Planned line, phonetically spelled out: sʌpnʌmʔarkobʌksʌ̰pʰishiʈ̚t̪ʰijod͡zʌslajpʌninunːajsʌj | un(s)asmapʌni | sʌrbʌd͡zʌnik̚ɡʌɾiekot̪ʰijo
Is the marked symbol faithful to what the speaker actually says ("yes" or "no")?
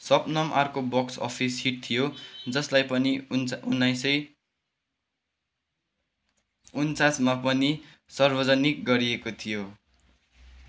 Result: no